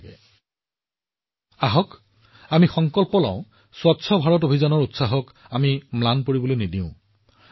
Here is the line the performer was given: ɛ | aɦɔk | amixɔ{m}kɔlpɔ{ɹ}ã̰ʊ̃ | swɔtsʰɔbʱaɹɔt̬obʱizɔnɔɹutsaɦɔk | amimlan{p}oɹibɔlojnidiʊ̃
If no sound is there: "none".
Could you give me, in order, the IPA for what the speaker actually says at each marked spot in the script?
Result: ŋ, l, p

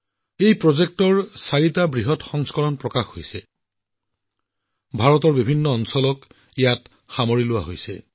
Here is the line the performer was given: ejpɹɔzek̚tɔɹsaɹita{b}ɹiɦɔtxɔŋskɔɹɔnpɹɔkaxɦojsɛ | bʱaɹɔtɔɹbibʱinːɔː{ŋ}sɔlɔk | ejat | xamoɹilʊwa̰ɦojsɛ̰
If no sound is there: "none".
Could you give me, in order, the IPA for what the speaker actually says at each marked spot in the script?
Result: b, n

